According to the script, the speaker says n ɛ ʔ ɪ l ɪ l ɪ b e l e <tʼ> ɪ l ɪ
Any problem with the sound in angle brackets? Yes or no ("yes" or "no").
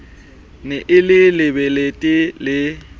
no